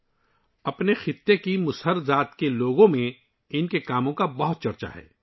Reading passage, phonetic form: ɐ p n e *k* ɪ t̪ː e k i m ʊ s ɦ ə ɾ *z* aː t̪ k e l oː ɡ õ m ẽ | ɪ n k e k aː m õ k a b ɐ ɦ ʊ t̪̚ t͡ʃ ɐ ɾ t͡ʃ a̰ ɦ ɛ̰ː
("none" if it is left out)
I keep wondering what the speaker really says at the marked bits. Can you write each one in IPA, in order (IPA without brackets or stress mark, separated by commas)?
x, z